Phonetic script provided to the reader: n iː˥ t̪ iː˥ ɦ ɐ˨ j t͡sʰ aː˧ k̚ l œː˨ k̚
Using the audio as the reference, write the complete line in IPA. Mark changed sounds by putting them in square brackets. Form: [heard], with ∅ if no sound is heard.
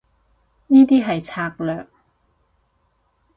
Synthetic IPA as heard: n iː˥ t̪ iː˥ ɦ ɐ˨ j t͡sʰ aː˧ k̚ l œː˨ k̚